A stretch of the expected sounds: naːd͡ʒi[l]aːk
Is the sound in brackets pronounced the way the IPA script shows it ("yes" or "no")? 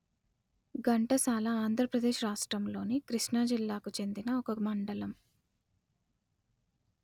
no